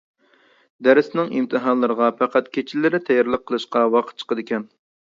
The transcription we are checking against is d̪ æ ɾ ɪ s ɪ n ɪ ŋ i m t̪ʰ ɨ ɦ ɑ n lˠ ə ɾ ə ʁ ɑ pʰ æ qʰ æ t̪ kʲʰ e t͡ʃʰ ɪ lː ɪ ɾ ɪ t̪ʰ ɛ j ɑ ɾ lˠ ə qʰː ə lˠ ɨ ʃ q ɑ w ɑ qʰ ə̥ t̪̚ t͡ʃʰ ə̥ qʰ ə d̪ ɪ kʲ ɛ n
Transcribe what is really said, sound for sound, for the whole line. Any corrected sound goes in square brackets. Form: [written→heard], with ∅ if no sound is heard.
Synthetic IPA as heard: d̪ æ ɾ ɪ s ɪ n ɪ ŋ i m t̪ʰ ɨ ɦ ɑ n lˠ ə ɾ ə ʁ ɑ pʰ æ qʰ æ t̪ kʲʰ e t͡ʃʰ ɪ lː ɪ ɾ ɪ t̪ʰ ɛ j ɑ ɾ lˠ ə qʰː ə lˠ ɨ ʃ q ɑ w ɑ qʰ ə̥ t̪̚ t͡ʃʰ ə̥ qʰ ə d̪ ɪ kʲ ɛ n